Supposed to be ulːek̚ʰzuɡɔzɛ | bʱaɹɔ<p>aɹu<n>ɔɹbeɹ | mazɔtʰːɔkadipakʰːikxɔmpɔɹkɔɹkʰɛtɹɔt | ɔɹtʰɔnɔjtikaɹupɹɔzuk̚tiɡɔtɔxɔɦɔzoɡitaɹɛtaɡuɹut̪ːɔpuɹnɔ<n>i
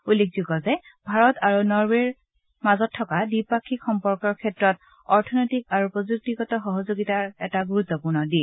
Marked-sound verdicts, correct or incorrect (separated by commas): incorrect, correct, incorrect